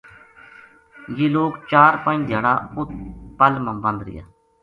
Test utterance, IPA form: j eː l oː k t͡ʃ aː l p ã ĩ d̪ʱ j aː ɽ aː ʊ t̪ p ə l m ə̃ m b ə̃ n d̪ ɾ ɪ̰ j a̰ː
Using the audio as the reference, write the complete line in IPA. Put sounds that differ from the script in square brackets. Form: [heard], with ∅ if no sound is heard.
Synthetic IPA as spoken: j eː l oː k t͡ʃ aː [ɾ] p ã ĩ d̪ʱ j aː ɽ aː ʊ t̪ p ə l m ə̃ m b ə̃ n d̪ ɾ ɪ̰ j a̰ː

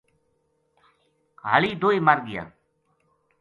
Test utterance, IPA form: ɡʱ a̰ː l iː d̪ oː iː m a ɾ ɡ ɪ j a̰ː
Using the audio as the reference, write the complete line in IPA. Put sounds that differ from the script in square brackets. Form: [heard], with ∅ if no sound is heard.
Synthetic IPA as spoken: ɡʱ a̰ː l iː d̪ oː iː m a ɾ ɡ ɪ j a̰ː

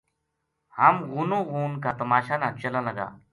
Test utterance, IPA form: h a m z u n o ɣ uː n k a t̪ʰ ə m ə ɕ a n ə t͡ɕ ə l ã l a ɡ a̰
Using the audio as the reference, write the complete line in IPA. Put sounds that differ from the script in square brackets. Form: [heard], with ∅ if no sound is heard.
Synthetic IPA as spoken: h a m [ɣ] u n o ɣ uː n k a [t̪] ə m [a] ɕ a n [a] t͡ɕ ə l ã l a ɡ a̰

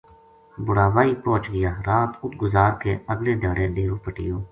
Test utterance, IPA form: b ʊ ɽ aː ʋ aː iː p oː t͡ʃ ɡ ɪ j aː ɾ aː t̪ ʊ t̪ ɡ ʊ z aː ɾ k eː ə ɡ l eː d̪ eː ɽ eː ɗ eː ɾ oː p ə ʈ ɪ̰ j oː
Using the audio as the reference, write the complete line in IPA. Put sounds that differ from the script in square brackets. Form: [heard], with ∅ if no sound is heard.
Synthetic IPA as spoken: b ʊ ɽ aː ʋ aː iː p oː t͡ʃ ɡ ɪ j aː ɾ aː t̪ ʊ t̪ ɡ ʊ z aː ɾ k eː ə ɡ l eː d̪ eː ɽ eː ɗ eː ɾ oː p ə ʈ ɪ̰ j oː

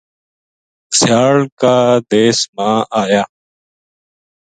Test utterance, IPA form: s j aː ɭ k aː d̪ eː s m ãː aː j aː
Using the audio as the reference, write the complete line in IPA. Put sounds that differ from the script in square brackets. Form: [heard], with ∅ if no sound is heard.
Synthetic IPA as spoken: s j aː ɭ k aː d̪ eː s m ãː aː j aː

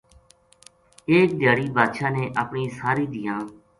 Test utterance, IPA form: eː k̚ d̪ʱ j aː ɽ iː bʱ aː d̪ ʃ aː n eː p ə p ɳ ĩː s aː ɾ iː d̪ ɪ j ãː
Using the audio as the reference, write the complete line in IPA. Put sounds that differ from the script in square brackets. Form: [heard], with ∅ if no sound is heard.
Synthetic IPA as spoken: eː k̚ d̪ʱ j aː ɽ iː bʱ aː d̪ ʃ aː n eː [ʔ] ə p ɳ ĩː s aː ɾ iː d̪ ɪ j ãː

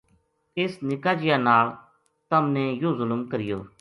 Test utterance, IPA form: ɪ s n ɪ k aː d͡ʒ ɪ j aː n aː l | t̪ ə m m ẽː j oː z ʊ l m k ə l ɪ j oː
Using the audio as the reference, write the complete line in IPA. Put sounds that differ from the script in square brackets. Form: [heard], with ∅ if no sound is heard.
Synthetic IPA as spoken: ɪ s n ɪ k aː d͡ʒ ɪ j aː n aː l | t̪ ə m [n] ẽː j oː z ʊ l m k ə [ɾ] ɪ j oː

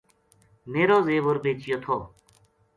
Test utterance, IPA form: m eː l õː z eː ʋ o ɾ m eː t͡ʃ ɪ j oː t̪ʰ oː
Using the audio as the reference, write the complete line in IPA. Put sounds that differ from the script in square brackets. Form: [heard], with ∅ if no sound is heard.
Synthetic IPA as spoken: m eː [ɾ] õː z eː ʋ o ɾ [b] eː t͡ʃ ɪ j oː t̪ʰ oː

